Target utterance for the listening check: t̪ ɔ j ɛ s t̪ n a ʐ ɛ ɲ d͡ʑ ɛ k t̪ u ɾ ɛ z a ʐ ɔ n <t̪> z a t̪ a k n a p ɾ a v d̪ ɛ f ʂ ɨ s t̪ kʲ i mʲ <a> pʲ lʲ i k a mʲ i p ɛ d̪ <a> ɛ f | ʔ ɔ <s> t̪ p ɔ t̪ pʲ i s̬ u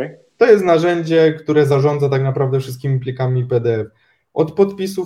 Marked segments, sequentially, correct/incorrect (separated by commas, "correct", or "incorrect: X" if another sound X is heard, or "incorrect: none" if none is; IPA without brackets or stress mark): incorrect: d̪, incorrect: i, incorrect: ɛ, incorrect: none